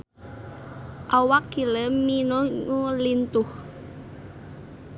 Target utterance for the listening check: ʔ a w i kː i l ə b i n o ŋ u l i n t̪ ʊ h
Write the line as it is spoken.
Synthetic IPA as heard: ʔ a w a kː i l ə m i n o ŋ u l i n t̪ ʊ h